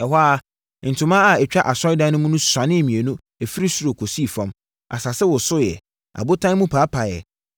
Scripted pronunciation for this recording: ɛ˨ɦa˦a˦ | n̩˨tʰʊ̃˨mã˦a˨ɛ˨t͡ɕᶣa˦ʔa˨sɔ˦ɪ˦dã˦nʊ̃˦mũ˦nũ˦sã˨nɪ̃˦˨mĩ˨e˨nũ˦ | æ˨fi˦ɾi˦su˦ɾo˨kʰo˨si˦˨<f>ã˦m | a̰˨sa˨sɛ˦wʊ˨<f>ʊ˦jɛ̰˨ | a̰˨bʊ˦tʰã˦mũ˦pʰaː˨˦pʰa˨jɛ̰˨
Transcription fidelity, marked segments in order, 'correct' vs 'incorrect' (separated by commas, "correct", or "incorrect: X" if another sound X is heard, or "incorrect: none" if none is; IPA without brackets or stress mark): correct, incorrect: s